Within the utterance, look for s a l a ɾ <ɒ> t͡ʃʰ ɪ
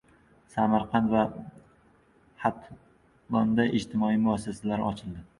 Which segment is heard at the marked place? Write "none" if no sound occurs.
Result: ɒ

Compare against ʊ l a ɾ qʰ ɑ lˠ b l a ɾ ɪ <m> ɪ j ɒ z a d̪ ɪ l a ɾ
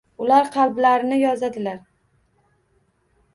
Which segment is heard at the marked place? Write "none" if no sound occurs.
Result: n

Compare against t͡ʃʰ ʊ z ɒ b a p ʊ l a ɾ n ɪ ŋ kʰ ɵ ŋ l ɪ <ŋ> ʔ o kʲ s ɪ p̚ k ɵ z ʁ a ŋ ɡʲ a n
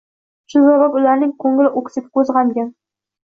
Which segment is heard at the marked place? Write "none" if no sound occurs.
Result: none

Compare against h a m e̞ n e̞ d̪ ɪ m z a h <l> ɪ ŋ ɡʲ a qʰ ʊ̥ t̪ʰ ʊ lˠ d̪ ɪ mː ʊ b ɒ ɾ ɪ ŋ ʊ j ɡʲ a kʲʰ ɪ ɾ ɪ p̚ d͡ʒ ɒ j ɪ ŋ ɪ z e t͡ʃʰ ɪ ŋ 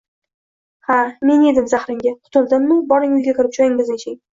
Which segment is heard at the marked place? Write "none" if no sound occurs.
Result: ɾ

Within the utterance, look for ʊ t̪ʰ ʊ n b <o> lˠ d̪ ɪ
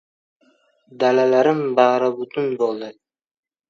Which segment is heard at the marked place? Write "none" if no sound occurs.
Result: o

